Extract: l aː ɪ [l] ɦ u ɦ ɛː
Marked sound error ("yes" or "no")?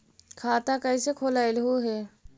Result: no